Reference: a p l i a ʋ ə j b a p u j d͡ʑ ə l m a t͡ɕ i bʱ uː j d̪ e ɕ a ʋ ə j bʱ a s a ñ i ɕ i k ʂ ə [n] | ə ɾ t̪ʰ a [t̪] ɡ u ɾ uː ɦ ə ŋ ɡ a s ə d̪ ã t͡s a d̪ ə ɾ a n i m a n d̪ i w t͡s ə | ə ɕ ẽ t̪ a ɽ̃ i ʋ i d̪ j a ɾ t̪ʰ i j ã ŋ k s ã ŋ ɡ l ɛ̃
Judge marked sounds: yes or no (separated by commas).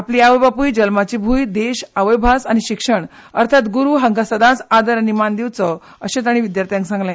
no, yes